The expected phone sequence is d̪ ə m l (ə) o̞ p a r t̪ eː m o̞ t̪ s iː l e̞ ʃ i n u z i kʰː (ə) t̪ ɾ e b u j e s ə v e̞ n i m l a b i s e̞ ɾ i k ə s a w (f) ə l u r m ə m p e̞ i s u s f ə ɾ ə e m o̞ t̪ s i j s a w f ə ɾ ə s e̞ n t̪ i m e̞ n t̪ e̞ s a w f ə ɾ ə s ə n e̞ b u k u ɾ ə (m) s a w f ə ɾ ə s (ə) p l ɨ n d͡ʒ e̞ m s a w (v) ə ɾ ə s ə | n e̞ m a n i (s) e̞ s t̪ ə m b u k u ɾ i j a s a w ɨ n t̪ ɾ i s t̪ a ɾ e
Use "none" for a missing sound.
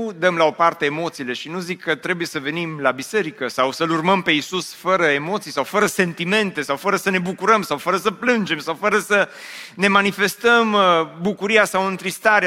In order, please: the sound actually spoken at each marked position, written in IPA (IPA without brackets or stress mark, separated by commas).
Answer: a, ə, s, m, ə, f, f